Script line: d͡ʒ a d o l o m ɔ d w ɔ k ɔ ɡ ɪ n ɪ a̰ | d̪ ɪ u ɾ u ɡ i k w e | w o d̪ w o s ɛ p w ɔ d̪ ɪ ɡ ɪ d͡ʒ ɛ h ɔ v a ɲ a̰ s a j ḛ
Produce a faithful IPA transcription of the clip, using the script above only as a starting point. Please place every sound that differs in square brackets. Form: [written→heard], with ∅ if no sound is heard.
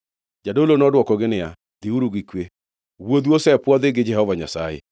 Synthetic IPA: d͡ʒ a d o l o [m→n] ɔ d w ɔ k ɔ ɡ ɪ n ɪ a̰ | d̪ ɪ u ɾ u ɡ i k w e | w o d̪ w o s ɛ p w ɔ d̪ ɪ ɡ ɪ d͡ʒ ɛ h ɔ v a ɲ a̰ s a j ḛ